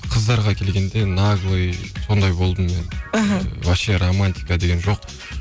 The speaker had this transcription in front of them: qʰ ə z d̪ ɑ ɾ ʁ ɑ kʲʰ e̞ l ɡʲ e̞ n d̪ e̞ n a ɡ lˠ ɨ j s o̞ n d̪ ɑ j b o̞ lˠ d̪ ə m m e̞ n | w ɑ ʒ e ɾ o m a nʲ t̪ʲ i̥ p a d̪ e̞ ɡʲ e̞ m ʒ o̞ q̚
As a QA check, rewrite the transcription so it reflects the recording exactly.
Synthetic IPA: qʰ ə z d̪ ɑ ɾ ʁ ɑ kʲʰ e̞ l ɡʲ e̞ n d̪ e̞ n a ɡ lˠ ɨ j s o̞ n d̪ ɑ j b o̞ lˠ d̪ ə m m e̞ n | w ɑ ʃ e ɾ o m a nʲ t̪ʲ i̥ k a d̪ e̞ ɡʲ e̞ n ʒ o̞ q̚